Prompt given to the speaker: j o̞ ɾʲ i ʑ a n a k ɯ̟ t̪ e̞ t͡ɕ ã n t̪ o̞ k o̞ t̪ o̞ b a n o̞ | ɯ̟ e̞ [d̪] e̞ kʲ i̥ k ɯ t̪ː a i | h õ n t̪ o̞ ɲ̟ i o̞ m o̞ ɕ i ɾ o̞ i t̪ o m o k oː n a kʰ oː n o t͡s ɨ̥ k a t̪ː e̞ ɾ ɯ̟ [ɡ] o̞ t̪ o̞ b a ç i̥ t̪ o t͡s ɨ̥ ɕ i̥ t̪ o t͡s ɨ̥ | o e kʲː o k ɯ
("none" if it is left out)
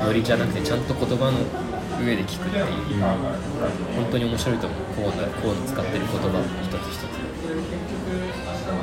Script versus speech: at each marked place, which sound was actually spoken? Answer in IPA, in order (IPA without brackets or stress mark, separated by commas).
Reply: d̪, k